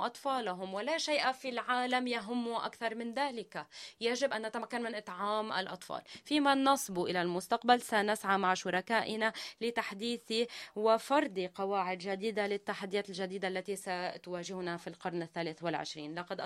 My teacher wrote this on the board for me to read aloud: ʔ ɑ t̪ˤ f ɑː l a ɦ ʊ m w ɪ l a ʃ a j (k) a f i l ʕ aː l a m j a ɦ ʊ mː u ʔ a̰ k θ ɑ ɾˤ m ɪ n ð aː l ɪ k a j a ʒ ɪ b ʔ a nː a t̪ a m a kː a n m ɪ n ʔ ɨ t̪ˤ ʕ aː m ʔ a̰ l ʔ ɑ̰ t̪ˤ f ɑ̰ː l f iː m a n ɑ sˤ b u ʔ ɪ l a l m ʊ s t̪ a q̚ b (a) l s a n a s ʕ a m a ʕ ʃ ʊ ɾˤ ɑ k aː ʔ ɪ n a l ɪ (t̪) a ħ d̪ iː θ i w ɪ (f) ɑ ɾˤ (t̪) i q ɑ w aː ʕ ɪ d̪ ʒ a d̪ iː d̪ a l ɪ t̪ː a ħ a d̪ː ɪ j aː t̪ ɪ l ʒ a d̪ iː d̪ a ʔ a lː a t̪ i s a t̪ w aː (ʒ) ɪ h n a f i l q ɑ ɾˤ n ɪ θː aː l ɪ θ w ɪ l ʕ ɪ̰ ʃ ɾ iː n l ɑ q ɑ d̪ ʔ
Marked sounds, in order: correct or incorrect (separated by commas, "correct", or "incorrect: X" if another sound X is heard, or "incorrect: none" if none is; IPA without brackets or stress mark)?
incorrect: ʔ, correct, correct, correct, incorrect: d̪, correct